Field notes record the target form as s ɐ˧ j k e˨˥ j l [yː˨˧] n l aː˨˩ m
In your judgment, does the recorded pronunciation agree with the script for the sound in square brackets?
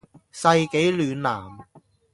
yes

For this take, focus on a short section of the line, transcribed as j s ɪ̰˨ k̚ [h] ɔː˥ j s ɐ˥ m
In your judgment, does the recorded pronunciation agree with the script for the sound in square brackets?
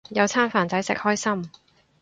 yes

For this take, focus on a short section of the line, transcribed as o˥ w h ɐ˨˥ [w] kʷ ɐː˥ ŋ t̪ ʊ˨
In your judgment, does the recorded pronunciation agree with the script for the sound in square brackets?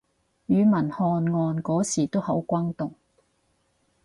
yes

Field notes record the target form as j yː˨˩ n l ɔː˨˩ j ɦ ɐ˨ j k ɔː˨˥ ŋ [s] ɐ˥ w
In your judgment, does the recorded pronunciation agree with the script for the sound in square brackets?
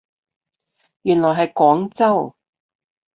no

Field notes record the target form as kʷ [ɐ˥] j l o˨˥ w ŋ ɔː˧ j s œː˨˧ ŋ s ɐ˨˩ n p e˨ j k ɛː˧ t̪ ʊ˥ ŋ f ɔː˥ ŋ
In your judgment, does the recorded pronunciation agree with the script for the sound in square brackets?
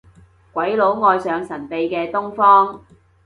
no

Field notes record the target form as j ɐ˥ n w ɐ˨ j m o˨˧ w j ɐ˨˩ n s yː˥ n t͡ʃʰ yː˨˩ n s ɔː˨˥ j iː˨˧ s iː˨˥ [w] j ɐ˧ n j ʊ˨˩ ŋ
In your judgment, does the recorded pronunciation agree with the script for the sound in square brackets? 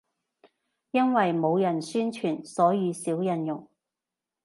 yes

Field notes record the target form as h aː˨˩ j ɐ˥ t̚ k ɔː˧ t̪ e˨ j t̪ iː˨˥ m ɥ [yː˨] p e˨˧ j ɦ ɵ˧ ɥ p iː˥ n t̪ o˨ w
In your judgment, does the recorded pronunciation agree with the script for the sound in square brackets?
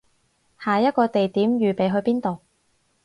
yes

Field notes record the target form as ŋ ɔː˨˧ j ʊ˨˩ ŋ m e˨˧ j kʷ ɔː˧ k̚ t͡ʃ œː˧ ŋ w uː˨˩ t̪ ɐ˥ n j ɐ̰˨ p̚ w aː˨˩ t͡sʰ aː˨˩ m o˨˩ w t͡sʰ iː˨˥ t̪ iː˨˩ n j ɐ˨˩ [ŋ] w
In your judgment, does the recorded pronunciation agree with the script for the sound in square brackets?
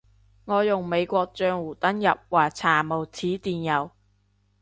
no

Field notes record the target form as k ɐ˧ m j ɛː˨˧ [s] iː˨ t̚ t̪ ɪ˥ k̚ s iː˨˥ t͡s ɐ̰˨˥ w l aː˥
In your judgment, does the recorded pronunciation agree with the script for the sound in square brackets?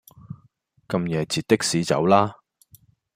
no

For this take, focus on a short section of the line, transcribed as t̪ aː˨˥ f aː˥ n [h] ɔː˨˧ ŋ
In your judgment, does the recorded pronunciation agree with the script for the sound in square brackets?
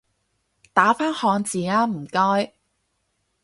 yes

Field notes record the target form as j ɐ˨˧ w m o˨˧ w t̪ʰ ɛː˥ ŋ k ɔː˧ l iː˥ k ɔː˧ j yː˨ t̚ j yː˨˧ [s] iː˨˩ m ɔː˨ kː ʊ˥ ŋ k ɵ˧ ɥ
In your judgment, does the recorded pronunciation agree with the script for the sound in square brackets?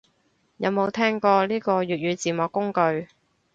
no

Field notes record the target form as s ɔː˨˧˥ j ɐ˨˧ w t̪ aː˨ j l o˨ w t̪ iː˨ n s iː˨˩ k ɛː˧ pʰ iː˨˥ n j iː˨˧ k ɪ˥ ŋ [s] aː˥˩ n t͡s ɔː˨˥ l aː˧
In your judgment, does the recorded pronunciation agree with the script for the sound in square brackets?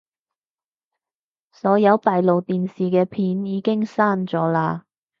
yes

